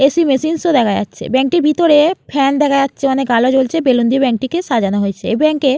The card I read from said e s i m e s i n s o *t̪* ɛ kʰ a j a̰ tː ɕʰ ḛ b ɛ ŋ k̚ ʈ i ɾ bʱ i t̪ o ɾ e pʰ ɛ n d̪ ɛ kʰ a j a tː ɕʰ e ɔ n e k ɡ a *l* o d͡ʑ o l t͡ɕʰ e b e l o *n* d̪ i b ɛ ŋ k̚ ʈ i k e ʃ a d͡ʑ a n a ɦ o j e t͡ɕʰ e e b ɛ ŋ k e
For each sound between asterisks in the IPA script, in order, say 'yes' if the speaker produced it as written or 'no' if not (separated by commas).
no, yes, yes